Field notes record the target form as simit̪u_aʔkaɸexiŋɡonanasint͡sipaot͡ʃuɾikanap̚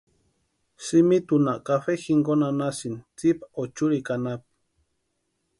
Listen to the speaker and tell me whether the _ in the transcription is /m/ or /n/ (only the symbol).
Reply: n